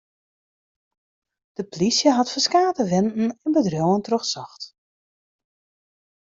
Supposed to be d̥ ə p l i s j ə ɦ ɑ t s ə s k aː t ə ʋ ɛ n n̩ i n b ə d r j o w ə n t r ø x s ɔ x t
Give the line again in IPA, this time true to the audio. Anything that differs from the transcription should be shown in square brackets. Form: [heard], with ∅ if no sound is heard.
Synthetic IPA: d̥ ə p l i s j ə ɦ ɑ t [f] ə s k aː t ə ʋ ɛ n n̩ [ɛ] n b ə d r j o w ə n t r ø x s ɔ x t